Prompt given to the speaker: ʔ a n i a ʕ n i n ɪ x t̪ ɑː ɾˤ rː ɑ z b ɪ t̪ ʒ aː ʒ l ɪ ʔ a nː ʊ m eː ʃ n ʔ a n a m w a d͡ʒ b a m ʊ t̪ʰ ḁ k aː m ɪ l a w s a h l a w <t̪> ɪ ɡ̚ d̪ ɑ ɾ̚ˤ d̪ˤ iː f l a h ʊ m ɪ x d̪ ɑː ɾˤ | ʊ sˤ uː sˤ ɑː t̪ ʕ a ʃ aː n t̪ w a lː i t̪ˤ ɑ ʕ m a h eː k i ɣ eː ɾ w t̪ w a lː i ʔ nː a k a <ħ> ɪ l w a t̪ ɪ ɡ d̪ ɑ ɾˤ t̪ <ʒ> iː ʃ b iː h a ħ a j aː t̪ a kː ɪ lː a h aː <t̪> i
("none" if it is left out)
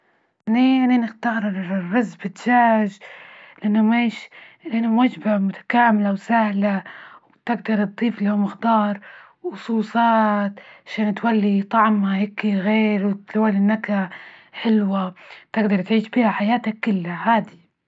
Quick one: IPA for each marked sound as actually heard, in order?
t̪, ħ, ʕ, d̪

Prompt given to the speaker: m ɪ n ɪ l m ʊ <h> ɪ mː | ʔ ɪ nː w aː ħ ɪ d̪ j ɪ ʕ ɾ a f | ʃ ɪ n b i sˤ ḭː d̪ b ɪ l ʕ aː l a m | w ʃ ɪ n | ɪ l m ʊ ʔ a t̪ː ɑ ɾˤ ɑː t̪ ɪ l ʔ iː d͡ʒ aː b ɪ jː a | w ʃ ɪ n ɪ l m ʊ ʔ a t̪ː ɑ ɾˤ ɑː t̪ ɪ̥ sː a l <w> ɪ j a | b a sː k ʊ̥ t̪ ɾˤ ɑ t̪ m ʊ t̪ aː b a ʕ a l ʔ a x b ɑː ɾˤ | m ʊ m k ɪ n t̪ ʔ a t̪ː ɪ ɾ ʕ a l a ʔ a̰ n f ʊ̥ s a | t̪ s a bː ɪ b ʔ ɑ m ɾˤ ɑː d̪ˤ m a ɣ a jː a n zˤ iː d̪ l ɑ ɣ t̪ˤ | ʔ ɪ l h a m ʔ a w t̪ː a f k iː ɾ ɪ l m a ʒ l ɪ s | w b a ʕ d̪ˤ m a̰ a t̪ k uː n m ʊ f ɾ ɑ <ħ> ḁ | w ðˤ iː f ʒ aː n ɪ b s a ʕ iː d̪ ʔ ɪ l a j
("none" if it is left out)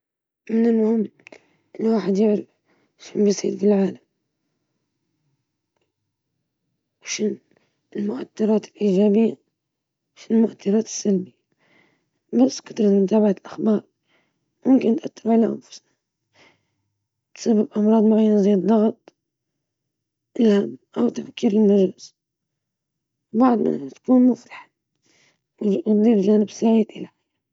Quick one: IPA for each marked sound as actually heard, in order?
h, b, ħ

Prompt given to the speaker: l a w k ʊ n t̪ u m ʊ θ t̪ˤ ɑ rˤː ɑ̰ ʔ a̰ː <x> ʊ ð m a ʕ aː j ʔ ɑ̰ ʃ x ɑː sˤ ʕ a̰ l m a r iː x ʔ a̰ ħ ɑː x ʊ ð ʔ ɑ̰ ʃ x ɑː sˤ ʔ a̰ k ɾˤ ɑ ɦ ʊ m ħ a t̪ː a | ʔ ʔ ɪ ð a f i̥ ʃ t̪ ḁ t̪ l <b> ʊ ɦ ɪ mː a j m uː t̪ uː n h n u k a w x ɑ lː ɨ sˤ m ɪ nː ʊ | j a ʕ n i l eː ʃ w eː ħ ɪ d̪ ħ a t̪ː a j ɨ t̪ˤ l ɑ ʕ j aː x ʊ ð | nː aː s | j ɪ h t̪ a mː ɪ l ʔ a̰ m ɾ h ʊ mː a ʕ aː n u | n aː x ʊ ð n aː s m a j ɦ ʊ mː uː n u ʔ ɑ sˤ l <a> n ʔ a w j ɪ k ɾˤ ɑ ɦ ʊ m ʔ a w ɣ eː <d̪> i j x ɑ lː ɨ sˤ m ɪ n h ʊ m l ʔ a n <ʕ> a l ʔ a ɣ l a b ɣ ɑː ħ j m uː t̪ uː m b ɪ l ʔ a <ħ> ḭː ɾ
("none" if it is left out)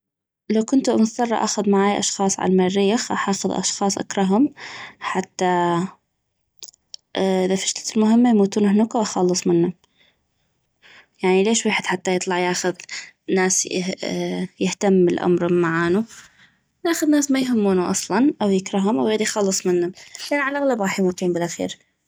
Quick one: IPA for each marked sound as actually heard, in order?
x, m, ɑ, d̪, ʕ, x

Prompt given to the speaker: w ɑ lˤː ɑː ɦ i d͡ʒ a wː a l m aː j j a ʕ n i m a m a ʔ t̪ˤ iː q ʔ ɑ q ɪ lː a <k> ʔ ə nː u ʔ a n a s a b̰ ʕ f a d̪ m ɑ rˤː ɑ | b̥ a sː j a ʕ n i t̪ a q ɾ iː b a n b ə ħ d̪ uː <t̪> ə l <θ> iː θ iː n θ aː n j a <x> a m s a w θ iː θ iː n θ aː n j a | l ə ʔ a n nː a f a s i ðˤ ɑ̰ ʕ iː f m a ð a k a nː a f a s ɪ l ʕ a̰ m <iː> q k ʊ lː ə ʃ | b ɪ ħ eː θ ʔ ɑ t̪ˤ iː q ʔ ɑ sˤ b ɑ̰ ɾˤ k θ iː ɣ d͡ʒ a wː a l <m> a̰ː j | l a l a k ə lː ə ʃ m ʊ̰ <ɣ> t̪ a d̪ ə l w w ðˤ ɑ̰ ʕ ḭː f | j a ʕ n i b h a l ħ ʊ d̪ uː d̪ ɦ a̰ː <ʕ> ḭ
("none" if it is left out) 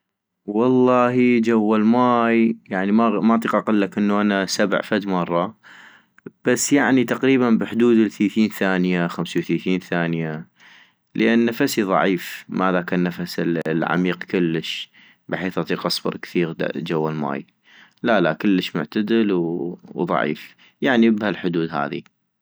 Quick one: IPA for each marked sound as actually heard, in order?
k, d̪, θ, x, iː, m, ʕ, ð

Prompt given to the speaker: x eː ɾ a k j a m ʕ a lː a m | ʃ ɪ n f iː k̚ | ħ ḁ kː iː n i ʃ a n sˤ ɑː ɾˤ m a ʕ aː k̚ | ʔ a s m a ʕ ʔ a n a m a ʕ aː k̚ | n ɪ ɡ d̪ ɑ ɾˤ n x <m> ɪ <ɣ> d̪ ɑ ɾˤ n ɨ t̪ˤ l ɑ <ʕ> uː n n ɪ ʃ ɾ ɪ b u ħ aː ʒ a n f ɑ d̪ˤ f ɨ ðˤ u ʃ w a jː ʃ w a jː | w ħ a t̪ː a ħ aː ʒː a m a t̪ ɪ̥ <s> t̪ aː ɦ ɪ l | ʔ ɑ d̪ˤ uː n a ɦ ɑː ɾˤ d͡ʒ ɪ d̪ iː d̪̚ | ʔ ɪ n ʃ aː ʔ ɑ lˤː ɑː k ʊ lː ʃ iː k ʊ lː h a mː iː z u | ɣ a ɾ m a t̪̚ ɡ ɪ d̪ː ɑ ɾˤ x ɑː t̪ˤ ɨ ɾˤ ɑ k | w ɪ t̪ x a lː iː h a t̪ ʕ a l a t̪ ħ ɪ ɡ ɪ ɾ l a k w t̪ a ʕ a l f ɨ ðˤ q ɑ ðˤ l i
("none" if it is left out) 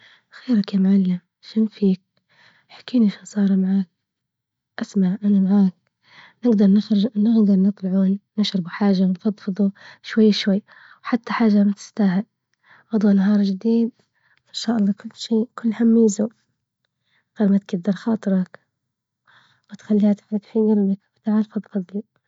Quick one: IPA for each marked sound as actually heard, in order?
n, ɣ, ʕ, s

